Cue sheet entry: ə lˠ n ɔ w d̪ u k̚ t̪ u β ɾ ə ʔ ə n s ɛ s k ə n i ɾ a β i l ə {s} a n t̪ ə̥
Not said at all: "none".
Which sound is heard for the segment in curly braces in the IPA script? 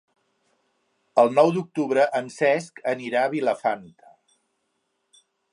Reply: f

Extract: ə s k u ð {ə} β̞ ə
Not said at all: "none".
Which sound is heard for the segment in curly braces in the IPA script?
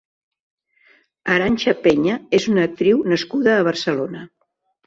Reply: əː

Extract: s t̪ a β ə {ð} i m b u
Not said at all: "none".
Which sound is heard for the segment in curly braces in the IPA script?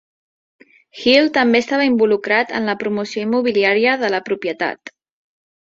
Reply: none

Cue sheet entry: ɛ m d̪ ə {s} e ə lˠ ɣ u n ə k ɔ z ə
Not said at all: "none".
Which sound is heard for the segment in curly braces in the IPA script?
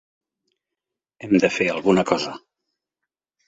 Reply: f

